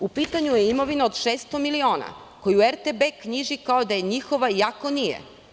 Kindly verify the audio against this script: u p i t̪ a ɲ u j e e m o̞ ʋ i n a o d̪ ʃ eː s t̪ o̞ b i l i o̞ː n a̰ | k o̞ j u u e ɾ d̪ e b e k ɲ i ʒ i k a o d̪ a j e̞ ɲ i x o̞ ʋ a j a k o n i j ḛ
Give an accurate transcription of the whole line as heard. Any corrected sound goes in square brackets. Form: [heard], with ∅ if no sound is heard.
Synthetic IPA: u p i t̪ a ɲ u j e [i] m o̞ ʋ i n a o d̪ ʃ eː s t̪ o̞ [m] i l i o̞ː n a̰ | k o̞ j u u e ɾ [t̪] e b e k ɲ i ʒ i k a o d̪ a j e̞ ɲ i x o̞ ʋ a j a k o n i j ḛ